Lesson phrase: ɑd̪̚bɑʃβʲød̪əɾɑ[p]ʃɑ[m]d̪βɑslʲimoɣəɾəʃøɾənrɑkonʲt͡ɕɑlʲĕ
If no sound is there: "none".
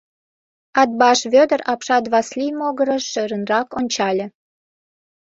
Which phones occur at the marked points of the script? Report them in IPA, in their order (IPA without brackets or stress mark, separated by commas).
p, none